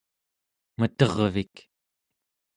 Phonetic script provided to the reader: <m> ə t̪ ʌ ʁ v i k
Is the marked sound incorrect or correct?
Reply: correct